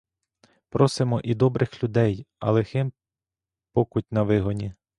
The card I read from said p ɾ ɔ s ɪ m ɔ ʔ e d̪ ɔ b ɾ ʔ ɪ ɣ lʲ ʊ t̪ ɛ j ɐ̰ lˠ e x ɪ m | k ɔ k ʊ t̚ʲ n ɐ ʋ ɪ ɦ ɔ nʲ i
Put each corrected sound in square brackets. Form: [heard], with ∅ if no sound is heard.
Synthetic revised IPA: p ɾ ɔ s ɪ m ɔ ʔ [i] d̪ ɔ b ɾ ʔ ɪ [x] lʲ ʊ [d̪] ɛ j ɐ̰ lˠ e x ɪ m | [p] ɔ k ʊ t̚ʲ n ɐ ʋ ɪ ɦ ɔ nʲ i